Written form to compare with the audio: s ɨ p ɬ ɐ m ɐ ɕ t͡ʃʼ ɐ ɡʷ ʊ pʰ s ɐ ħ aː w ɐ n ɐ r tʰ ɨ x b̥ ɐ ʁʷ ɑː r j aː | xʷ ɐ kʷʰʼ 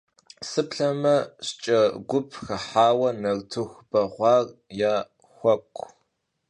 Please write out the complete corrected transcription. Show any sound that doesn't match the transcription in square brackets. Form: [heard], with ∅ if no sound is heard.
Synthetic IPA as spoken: s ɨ p ɬ ɐ m ɐ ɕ t͡ʃʼ ɐ ɡʷ ʊ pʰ [x] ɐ ħ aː w ɐ n ɐ r tʰ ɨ x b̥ ɐ ʁʷ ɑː r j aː | xʷ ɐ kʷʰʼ